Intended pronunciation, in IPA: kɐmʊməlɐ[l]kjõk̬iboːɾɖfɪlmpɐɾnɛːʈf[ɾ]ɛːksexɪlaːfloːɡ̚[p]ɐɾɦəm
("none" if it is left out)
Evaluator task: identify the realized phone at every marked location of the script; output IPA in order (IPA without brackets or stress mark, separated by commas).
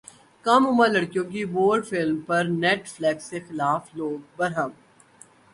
ɽ, l, b